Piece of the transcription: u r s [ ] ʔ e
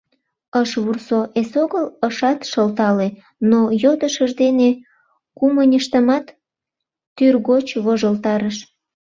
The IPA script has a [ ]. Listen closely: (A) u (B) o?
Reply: B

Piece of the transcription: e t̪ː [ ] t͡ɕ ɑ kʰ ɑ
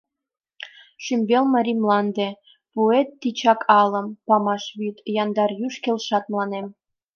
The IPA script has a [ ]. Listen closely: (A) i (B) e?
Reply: A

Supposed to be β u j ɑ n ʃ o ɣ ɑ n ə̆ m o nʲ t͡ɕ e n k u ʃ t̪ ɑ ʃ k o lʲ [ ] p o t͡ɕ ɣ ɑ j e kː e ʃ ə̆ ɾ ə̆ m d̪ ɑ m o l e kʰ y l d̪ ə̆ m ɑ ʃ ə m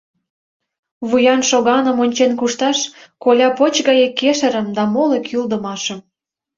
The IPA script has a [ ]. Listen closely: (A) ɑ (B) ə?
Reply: A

